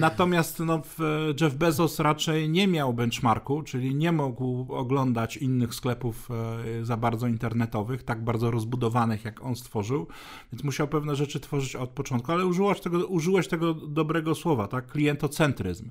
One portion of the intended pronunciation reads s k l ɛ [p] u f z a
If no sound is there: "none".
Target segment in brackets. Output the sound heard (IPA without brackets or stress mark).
p